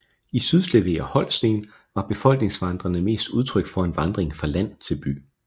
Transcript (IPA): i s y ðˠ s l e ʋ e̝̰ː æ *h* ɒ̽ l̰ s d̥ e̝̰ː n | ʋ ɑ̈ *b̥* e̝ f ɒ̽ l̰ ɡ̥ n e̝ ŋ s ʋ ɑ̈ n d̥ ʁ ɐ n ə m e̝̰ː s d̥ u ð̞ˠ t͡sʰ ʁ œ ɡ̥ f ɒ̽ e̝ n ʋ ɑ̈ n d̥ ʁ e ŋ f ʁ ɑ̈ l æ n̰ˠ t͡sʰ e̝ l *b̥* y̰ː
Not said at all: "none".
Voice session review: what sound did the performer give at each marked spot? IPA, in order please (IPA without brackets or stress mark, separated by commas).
h, b̥, b̥